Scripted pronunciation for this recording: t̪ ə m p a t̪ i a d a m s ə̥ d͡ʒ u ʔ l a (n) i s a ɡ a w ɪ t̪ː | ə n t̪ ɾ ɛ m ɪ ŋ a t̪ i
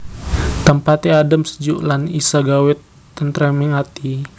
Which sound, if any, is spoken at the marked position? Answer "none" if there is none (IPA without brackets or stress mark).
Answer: n